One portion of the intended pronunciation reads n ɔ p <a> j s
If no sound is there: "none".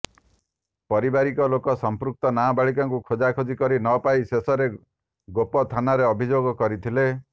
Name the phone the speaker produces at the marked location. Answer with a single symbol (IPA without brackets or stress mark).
a